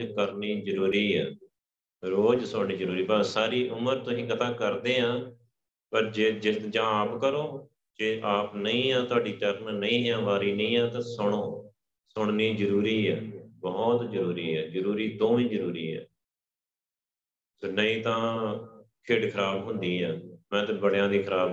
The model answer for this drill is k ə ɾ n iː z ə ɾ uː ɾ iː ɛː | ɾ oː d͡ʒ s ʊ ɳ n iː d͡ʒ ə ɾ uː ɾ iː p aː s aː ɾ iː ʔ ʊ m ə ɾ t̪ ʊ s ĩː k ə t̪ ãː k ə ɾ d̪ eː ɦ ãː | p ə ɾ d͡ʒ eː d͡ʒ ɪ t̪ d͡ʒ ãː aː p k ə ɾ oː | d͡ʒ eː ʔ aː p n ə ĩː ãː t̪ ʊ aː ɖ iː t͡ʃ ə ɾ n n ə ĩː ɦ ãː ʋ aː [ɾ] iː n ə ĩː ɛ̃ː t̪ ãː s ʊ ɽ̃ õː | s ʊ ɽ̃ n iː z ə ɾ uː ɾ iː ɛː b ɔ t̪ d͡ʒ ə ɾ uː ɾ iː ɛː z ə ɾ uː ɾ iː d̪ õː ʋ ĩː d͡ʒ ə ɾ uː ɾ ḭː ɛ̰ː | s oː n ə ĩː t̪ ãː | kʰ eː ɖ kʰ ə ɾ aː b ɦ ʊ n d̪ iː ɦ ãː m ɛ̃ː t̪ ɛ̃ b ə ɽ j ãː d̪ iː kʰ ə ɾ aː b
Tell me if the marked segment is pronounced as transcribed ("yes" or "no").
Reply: yes